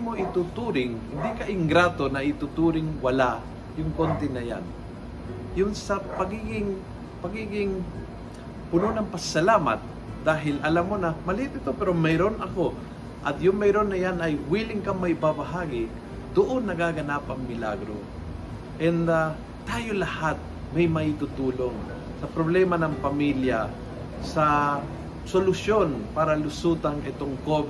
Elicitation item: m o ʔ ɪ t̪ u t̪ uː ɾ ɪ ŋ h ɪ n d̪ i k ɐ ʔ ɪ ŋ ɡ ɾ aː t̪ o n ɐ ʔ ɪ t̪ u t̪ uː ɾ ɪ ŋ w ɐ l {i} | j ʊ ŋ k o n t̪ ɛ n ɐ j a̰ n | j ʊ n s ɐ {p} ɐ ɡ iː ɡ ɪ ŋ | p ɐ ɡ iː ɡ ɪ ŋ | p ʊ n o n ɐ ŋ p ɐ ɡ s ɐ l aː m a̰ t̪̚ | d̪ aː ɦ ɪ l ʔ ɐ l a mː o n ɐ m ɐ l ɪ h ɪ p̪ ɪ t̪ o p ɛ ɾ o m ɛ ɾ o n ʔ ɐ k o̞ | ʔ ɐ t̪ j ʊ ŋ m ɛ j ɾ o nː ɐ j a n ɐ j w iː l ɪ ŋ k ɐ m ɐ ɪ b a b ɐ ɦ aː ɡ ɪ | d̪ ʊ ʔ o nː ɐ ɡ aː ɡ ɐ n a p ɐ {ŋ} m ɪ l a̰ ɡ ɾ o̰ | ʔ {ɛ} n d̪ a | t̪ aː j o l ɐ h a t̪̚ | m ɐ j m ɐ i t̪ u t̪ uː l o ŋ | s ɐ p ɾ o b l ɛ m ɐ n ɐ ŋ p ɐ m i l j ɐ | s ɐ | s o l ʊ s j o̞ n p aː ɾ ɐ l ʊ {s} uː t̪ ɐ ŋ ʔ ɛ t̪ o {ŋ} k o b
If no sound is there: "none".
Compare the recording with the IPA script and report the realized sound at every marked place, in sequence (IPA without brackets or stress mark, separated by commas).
a, p, ŋ, ɛ, s, ŋ